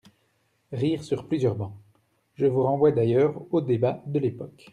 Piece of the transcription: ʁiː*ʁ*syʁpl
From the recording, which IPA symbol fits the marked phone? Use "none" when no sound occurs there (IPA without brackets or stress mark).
ʁ